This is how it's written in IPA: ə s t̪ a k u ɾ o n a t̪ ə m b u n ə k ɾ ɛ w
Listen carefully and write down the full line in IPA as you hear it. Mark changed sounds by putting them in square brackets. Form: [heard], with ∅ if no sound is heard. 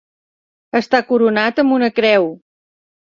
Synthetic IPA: ə s t̪ a k u ɾ [u] n a t̪ ə m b u n ə k ɾ ɛ w